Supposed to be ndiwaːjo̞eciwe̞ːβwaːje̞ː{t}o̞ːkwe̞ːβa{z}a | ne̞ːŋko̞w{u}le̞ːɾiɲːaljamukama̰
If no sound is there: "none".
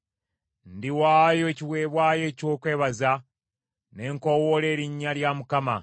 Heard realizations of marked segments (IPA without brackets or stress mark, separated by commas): c, z, o